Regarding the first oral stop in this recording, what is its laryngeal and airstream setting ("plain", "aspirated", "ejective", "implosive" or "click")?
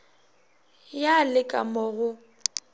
ejective